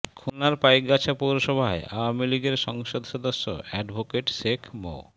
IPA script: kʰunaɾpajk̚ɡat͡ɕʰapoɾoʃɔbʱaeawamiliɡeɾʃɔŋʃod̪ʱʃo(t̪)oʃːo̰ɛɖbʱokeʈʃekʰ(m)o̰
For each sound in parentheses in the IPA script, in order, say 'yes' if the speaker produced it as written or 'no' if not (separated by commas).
no, yes